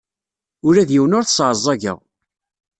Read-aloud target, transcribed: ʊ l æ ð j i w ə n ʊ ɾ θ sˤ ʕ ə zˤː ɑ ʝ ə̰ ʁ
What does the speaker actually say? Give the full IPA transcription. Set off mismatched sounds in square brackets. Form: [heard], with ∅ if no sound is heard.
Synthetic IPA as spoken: ʊ [ɾ] æ ð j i w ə n ʊ ɾ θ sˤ ʕ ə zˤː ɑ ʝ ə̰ ʁ